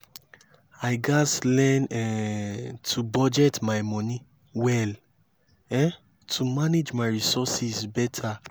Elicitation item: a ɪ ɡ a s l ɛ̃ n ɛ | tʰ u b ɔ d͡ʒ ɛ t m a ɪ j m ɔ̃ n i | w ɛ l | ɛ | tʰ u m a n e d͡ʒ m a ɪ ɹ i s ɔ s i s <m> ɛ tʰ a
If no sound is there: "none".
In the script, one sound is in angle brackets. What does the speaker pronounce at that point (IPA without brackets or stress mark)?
b